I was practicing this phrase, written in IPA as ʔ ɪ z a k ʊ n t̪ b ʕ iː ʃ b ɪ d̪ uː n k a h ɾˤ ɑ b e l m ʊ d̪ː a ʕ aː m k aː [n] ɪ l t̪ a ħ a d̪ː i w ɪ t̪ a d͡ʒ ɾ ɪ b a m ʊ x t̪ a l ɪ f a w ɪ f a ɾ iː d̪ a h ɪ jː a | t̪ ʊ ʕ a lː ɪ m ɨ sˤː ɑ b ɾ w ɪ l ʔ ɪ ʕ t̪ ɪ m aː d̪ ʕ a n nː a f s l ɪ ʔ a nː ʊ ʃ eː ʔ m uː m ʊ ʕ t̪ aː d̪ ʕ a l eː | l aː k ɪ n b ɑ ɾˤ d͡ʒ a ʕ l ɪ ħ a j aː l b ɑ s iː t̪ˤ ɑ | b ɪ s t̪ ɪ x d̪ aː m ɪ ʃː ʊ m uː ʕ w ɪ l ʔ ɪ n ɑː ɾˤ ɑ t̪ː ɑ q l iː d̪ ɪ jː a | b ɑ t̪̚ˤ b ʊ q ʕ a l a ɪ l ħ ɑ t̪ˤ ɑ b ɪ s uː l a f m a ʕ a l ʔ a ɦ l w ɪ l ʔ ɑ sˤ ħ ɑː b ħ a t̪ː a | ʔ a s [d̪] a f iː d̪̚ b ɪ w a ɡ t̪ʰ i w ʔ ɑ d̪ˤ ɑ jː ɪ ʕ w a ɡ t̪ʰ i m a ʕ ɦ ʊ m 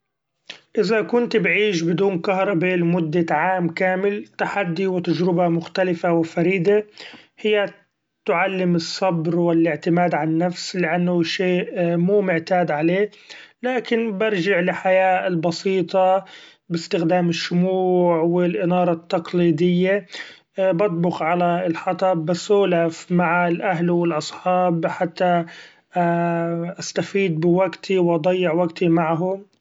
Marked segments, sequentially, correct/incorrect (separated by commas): incorrect, incorrect